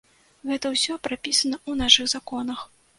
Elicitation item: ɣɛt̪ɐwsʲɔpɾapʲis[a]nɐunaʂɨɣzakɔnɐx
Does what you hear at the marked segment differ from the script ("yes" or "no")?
yes